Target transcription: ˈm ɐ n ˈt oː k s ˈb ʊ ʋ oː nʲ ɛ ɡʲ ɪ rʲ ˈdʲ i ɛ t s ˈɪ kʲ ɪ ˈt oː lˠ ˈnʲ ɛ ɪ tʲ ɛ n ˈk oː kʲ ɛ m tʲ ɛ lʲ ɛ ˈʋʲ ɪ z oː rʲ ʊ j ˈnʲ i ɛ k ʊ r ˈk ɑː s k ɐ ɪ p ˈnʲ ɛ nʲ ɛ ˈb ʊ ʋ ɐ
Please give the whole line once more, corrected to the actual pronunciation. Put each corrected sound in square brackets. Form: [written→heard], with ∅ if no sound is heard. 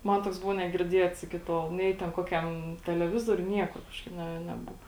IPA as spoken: ˈm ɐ n ˈt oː k s ˈb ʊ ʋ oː nʲ ɛ ɡʲ ɪ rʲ ˈdʲ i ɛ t s ˈɪ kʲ ɪ ˈt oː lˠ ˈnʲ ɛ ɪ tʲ ɛ n ˈk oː kʲ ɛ m tʲ ɛ lʲ ɛ ˈʋʲ ɪ z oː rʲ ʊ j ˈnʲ i ɛ k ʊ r ˈk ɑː [s→ʃ] k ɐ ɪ p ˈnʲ ɛ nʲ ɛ ˈb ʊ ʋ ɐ